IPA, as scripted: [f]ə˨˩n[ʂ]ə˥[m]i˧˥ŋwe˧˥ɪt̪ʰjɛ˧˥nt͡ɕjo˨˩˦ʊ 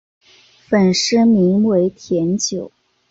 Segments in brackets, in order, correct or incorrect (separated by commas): correct, correct, correct